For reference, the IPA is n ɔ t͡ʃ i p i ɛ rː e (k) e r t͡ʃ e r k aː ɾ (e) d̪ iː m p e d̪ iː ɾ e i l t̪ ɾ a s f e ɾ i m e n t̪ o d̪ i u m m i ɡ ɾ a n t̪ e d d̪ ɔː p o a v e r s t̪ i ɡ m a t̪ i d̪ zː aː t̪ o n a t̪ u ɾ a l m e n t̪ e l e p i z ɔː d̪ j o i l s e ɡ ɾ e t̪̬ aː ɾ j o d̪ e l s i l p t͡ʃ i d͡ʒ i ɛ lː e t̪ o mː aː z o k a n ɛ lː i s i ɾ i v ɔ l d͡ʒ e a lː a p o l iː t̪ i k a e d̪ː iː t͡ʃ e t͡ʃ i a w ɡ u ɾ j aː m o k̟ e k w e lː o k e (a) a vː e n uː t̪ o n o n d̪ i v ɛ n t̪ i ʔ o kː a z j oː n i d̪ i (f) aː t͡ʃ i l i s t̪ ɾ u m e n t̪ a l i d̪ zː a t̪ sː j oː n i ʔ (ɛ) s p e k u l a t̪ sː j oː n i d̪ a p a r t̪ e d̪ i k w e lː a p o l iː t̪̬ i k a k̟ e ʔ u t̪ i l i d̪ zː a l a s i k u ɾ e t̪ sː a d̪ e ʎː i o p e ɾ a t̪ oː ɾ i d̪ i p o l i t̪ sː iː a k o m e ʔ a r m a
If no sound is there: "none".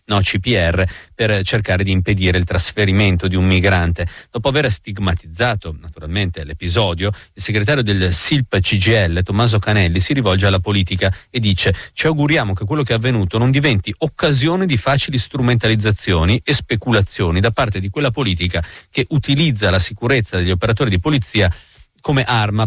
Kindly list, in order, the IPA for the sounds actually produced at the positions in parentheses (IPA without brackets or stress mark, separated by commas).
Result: p, e, ɛ, f, e